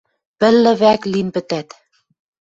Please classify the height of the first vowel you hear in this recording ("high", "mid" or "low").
mid